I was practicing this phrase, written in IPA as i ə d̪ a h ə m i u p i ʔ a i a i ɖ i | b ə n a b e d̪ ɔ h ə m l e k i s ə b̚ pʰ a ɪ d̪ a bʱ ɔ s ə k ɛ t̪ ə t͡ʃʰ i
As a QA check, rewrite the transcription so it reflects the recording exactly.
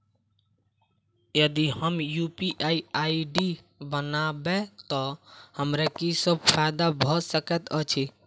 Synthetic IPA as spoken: j ə d̪ i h ə m j u p i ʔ a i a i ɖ i | b ə n a b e t̪ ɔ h ə m ɾ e k i s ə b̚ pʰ a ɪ d̪ a bʱ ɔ s ə k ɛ t̪ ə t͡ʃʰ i